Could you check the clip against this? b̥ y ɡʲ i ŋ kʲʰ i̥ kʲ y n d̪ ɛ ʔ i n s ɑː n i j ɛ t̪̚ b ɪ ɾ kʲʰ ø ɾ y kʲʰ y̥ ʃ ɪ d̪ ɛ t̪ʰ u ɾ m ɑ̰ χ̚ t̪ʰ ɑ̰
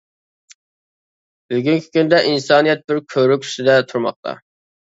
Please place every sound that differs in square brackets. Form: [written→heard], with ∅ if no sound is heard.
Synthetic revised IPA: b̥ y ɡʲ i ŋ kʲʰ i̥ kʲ y n d̪ ɛ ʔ i n s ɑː n i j ɛ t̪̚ b ɪ ɾ kʲʰ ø ɾ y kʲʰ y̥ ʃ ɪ d̪ ɛ t̪ʰ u ɾ m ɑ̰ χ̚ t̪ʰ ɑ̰